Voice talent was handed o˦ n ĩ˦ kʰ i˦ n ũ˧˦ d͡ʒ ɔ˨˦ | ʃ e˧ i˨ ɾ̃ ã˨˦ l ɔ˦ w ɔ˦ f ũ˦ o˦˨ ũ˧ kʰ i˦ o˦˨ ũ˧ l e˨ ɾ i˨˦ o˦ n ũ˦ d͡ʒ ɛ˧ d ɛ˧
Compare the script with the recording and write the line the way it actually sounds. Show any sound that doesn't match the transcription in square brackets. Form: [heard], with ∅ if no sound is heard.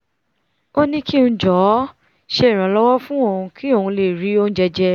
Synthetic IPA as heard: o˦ n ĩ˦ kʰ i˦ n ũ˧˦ d͡ʒ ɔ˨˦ | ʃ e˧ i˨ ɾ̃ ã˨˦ l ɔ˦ w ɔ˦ f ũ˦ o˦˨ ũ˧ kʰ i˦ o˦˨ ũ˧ l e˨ ɾ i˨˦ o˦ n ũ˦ d͡ʒ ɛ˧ [d͡ʒ] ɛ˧